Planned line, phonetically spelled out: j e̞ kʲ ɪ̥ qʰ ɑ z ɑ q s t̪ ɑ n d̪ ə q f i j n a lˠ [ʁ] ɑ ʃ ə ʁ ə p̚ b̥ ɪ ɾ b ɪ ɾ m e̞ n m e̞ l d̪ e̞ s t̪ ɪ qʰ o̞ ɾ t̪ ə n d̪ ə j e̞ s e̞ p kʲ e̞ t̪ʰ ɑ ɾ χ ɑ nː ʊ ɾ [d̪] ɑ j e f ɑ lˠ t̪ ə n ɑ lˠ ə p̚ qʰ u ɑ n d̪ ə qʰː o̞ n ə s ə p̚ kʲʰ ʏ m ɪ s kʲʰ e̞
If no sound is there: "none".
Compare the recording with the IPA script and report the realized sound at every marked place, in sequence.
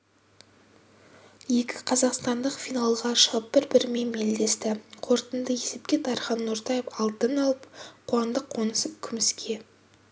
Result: ʁ, t̪

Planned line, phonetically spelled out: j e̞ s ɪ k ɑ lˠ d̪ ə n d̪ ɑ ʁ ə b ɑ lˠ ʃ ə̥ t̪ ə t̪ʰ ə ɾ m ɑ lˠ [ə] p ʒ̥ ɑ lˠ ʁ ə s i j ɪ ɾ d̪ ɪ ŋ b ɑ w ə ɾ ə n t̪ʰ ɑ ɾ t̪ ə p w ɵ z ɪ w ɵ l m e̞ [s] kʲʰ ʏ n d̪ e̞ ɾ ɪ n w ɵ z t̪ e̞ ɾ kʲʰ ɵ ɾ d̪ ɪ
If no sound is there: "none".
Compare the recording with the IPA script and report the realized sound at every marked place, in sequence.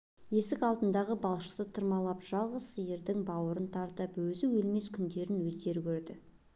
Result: ɑ, s

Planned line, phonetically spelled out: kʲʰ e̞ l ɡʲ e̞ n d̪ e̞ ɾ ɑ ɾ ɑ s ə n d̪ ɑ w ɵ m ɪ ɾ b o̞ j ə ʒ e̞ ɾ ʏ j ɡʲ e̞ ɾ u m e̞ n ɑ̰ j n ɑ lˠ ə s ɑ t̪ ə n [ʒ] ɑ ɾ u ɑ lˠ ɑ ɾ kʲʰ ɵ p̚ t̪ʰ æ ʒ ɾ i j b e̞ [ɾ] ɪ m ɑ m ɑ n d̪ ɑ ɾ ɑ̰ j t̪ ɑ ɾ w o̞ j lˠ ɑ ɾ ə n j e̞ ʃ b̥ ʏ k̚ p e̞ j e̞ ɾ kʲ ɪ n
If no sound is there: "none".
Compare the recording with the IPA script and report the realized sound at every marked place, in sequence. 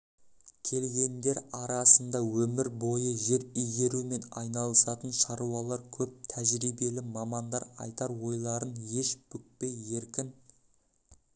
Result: ʃ, l

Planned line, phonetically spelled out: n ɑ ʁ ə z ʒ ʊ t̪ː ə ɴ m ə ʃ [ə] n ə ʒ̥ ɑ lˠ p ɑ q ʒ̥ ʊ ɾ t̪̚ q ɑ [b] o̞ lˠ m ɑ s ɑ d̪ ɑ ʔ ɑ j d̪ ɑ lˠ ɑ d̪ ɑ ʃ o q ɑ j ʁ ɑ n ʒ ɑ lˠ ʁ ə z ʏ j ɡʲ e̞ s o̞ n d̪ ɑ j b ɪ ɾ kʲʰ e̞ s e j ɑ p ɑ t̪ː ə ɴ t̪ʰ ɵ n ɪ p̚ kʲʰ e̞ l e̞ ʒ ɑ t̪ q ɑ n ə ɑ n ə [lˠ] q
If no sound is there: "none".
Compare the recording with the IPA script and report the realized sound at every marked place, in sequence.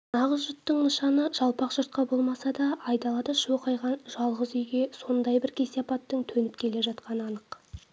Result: ɑ, b, none

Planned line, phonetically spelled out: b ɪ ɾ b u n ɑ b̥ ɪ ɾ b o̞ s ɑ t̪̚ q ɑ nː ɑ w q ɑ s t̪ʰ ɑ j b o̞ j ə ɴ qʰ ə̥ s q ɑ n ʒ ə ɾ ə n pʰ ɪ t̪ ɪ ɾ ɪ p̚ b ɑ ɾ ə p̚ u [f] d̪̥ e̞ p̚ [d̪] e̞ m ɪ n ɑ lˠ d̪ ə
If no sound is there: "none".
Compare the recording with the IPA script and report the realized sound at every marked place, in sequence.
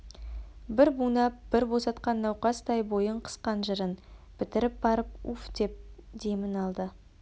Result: f, d̪

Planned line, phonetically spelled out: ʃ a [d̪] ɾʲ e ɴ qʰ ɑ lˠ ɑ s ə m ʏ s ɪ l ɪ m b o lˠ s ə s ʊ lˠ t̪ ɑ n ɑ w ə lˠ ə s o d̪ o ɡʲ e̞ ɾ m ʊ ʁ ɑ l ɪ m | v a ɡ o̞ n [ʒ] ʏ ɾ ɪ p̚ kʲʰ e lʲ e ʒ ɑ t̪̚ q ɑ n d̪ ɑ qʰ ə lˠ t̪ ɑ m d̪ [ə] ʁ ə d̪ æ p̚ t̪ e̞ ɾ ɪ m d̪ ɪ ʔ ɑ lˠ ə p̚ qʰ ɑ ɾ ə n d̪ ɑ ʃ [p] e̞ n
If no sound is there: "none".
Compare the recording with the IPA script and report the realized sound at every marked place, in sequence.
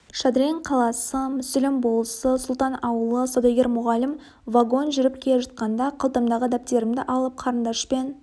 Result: d̪, ʒ, ɑ, p

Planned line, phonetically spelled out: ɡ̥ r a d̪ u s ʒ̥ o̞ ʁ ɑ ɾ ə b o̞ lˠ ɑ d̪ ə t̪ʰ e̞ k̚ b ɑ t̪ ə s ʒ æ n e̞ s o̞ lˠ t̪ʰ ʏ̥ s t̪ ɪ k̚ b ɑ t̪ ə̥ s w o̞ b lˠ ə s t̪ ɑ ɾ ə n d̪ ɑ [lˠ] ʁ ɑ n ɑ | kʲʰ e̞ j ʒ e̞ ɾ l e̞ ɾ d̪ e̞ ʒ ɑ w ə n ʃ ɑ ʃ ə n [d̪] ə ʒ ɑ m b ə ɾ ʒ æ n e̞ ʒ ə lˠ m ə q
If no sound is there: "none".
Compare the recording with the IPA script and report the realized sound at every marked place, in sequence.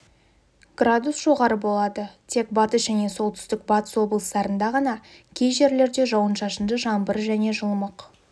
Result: none, d̪

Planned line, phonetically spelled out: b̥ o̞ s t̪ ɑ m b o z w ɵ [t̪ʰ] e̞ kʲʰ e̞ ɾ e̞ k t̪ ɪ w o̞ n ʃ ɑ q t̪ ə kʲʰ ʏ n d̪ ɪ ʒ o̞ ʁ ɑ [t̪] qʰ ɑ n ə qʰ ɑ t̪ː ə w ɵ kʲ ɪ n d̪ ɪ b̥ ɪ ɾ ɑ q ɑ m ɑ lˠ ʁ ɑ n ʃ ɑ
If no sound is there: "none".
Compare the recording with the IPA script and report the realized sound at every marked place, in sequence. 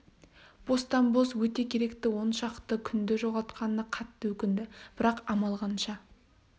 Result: t̪, t̪

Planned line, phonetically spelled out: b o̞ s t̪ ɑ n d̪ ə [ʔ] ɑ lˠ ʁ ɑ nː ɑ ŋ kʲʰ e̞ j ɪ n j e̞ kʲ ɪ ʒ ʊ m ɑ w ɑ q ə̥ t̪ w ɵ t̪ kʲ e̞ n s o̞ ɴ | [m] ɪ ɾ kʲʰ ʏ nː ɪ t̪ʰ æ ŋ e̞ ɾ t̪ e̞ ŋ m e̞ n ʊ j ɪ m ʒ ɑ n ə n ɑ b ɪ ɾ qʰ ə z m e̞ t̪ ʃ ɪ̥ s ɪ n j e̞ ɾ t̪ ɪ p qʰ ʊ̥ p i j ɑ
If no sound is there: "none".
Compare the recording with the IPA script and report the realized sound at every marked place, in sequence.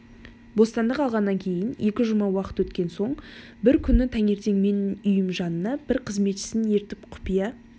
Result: q, b

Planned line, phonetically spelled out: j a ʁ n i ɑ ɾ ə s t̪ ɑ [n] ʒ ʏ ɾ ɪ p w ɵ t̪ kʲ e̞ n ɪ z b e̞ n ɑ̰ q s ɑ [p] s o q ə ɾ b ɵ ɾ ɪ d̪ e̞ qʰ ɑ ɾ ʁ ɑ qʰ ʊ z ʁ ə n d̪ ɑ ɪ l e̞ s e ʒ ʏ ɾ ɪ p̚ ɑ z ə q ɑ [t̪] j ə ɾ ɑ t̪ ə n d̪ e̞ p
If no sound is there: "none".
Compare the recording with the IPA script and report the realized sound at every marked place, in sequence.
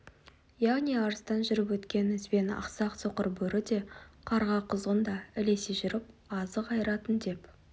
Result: n, q, none

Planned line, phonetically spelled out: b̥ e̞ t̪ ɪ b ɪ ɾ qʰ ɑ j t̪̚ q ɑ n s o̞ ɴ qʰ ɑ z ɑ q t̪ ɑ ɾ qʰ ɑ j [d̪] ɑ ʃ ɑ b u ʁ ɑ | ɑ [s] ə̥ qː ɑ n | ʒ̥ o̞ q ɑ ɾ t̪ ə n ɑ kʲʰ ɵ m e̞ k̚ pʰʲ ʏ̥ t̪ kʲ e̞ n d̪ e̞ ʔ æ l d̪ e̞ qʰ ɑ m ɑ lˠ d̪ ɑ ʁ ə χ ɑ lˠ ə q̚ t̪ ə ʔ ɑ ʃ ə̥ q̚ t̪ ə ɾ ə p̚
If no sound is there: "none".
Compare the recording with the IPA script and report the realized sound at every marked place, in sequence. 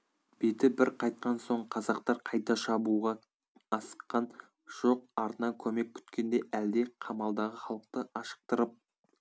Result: t̪, s

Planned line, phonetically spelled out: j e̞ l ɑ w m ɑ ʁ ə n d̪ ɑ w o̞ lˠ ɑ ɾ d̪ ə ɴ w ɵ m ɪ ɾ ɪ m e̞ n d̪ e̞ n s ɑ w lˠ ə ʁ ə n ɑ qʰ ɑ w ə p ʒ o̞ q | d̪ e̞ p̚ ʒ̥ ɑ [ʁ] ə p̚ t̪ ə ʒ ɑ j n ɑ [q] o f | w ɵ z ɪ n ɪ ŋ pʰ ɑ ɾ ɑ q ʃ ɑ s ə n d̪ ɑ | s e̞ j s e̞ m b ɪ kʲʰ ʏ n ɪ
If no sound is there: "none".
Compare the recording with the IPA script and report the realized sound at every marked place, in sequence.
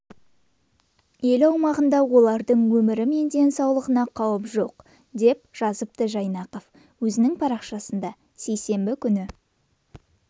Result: z, q

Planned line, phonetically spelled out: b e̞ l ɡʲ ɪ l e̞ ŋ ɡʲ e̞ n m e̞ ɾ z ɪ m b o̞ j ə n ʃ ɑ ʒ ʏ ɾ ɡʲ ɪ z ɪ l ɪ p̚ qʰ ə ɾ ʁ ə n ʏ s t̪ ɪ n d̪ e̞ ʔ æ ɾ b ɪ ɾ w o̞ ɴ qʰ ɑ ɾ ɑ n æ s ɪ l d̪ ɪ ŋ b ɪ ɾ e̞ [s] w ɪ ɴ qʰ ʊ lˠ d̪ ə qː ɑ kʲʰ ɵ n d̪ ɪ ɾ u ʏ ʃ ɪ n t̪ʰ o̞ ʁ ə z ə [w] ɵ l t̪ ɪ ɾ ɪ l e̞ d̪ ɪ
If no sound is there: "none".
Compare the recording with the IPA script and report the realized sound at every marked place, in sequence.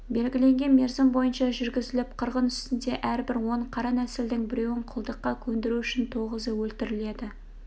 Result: none, w

